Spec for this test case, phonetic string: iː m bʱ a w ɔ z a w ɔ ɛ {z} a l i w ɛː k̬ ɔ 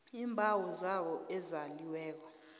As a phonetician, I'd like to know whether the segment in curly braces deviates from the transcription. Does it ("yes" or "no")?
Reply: no